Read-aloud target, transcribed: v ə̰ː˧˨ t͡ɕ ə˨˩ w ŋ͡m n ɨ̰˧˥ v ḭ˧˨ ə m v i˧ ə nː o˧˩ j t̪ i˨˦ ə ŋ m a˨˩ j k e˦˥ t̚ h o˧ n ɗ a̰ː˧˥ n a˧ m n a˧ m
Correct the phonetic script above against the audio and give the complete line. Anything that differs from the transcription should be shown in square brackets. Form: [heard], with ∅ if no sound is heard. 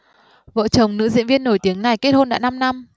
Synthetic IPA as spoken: v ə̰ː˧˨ t͡ɕ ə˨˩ w ŋ͡m n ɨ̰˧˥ [z] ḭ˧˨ ə [n] v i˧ ə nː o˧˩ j t̪ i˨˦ ə ŋ [n] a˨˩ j k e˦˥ t̚ h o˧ n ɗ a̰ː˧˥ n a˧ m n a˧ m